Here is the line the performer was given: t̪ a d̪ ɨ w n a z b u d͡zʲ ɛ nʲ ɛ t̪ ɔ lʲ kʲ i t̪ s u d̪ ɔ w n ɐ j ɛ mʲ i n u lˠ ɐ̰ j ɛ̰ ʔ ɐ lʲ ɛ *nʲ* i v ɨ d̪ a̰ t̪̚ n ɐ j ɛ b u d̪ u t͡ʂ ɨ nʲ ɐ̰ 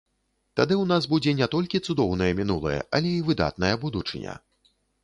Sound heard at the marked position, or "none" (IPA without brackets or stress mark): none